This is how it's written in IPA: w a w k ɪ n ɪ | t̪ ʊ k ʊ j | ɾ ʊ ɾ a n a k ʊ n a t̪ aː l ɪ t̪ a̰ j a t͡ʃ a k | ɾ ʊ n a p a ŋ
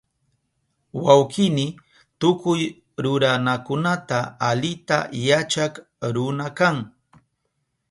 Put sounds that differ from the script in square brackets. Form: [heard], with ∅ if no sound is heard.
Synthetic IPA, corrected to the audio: w a w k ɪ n ɪ | t̪ ʊ k ʊ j | ɾ ʊ ɾ a n a k ʊ n a t̪ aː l ɪ t̪ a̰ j a t͡ʃ a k | ɾ ʊ n a [k] a ŋ